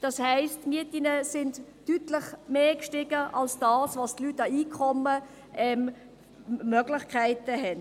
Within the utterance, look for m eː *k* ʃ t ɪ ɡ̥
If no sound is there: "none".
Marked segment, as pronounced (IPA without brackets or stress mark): k